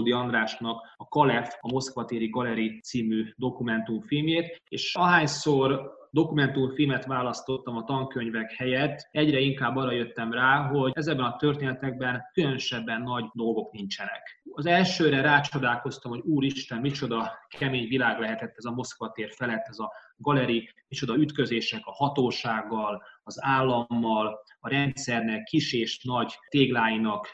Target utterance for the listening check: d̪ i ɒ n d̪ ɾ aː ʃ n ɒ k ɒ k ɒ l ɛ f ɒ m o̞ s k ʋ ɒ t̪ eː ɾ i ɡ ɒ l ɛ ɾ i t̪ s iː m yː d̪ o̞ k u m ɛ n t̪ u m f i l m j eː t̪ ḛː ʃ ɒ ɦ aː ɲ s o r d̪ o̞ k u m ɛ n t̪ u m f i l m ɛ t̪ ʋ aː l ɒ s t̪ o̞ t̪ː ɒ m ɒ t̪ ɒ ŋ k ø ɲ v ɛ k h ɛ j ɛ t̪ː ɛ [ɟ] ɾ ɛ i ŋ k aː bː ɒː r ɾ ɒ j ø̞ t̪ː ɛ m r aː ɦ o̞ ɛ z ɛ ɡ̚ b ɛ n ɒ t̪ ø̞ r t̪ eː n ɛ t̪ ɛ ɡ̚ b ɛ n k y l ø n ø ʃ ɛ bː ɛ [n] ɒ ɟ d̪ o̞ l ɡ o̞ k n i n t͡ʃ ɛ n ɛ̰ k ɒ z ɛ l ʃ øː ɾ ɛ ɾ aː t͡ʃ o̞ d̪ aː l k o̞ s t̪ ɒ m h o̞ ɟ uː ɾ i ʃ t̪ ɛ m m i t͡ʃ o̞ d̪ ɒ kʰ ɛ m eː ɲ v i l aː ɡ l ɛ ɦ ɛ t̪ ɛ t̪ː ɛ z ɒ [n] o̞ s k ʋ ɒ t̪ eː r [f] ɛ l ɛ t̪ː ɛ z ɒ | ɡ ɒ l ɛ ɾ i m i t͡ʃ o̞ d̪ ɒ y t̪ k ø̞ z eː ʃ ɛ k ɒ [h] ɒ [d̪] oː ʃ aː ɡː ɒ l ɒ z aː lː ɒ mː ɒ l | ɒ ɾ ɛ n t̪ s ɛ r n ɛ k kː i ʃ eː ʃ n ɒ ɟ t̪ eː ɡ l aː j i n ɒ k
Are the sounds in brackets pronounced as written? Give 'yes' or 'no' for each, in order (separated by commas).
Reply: yes, no, no, yes, yes, no